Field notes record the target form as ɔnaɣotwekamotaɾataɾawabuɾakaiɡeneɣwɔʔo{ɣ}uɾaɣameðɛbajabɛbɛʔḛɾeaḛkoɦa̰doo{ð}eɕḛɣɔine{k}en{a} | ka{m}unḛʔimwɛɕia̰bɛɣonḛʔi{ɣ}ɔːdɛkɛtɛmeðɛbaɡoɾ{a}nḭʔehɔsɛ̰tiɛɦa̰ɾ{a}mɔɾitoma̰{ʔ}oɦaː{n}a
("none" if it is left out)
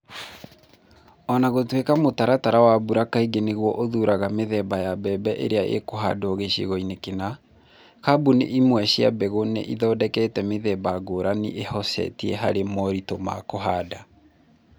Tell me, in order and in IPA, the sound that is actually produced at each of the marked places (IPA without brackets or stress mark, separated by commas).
ð, ɣ, k, a, b, ð, a, e, k, d